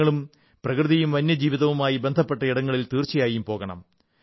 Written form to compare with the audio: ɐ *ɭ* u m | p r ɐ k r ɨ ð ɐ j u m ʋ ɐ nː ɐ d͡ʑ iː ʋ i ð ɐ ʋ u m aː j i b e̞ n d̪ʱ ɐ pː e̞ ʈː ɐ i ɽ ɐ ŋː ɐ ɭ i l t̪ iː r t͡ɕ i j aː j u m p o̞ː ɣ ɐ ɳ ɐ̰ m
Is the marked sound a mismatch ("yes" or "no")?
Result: no